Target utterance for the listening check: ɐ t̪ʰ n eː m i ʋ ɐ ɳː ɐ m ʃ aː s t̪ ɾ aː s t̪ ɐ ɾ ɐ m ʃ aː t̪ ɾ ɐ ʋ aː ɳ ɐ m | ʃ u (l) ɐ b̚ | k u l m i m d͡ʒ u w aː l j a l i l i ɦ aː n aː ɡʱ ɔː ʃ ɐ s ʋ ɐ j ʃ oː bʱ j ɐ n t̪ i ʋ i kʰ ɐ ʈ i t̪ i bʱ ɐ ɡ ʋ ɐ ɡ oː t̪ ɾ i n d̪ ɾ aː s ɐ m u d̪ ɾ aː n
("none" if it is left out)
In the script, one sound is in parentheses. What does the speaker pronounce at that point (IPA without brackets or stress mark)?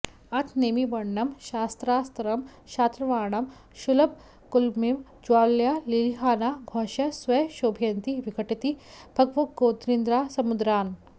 l